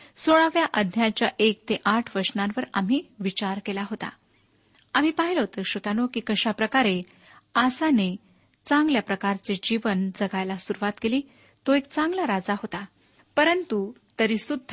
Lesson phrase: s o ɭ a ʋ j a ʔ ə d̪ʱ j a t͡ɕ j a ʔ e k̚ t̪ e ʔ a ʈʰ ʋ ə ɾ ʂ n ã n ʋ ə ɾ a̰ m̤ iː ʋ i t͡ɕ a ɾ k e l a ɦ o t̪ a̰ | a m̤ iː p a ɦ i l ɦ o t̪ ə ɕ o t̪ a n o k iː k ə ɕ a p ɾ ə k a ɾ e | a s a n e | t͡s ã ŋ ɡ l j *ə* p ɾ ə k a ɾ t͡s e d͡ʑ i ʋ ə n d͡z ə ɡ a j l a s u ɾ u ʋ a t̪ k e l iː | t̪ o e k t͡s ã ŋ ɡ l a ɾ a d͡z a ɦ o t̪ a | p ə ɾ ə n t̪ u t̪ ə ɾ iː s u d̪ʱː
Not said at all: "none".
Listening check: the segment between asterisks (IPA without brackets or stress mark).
a